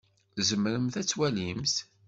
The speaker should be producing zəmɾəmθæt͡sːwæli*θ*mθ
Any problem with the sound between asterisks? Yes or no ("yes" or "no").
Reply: yes